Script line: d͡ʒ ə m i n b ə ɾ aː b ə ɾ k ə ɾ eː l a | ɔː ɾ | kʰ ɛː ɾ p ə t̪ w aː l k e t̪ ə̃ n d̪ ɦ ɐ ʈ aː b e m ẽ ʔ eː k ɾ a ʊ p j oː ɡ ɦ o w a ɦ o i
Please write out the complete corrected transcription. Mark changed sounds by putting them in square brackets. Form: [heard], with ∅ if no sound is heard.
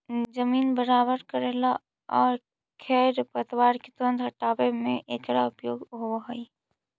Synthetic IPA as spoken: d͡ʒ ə m [iː] n b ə ɾ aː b ə ɾ k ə ɾ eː l a | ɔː ɾ | kʰ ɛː ɾ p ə t̪ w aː [ɾ] k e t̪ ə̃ n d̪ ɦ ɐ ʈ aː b e m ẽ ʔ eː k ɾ a ʊ p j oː ɡ ɦ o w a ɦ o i